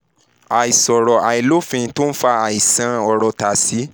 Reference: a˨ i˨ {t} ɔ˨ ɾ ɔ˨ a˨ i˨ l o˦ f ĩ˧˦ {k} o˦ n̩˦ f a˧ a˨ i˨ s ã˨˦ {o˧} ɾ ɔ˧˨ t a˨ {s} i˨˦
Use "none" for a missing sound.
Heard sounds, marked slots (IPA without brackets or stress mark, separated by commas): s, t, ɔ˧, s